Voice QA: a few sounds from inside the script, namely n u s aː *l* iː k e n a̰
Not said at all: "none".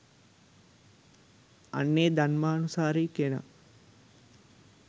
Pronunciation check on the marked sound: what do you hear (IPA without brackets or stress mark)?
ɾ